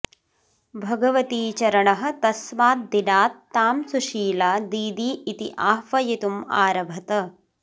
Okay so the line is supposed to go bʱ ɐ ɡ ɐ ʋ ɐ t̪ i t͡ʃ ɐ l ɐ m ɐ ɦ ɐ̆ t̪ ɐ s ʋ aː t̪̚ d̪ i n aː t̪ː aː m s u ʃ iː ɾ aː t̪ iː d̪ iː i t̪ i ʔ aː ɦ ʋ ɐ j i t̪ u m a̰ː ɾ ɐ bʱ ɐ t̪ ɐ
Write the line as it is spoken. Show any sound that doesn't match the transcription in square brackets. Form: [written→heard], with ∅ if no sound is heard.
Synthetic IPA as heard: bʱ ɐ ɡ ɐ ʋ ɐ t̪ [i→iː] t͡ʃ ɐ [l→ɾ] ɐ [m→ɳ] ɐ ɦ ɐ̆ t̪ ɐ s ʋ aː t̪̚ d̪ i n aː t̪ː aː m s u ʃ iː [ɾ→l] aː [t̪→d̪] iː d̪ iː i t̪ i ʔ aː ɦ ʋ ɐ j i t̪ u m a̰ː ɾ ɐ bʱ ɐ t̪ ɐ